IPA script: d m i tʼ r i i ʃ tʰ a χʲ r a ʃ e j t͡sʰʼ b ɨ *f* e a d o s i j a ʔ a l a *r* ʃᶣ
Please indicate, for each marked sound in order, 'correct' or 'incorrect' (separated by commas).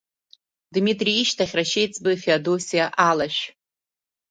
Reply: correct, incorrect